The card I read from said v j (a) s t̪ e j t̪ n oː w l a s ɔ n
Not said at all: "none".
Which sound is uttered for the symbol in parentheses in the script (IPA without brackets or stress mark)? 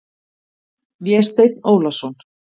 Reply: ɛ